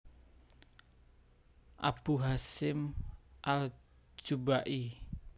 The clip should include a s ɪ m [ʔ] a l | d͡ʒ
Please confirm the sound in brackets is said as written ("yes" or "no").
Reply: yes